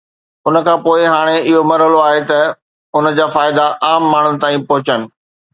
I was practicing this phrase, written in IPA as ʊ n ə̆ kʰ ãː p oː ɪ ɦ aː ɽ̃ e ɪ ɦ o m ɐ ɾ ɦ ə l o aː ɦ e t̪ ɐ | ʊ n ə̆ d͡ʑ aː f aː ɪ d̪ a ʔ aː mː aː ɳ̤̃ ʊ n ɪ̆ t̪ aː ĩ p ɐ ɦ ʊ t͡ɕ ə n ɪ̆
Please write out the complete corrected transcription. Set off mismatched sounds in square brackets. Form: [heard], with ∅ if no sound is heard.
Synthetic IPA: ʊ n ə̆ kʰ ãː p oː ɪ ɦ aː ɽ̃ e ɪ ɦ o m ɐ ɾ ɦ ə l o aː ɦ e t̪ ɐ | ʊ n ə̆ d͡ʑ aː f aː ɪ d̪ a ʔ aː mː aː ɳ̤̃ ʊ n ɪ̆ t̪ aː ĩ p ɐ ɦ ʊ t͡ɕ ə n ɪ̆